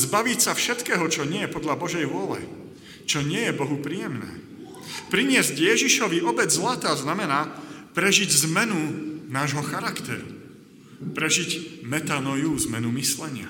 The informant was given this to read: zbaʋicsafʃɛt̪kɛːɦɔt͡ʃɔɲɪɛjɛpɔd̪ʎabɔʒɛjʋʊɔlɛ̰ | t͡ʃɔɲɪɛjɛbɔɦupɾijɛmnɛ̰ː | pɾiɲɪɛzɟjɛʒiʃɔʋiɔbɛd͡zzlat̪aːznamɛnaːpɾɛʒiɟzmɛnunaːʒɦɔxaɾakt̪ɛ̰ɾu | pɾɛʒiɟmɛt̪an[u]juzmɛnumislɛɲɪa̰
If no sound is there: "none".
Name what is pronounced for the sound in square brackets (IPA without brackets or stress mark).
ɔ